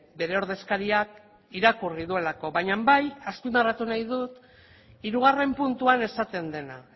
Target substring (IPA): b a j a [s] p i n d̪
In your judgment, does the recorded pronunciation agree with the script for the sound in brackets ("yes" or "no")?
yes